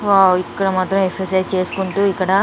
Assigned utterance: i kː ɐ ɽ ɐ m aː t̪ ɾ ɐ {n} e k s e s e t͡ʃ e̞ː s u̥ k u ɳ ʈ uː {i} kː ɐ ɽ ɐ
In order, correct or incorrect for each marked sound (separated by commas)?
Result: incorrect, correct